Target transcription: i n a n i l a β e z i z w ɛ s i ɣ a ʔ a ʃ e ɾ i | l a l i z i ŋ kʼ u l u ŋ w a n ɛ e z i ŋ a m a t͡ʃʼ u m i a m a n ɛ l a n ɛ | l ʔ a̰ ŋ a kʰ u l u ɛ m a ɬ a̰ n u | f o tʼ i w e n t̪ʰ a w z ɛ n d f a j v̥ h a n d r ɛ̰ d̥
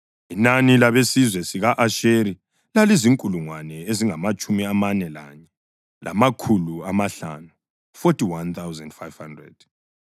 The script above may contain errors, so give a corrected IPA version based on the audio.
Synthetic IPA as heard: i n a n i l a β e s i z w ɛ s i ɣ a ʔ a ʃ e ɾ i | l a l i z i ŋ kʼ u l u ŋ w a n ɛ e z i ŋ a m a t͡ʃʼ u m i a m a n ɛ l a ɲ ɛ | l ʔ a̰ m a kʰ u l u a m a ɬ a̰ n u | f o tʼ i w a n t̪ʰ a w z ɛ n d f a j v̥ h a n d r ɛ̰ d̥